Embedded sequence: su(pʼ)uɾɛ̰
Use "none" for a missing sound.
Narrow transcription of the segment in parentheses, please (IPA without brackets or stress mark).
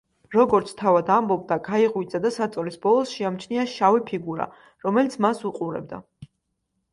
qʼ